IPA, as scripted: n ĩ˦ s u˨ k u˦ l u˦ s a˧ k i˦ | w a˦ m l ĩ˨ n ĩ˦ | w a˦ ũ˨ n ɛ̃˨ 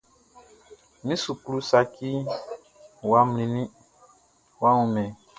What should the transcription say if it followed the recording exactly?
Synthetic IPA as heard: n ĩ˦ s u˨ k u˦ l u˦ s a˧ k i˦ | w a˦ m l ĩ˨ n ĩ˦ | w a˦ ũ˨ m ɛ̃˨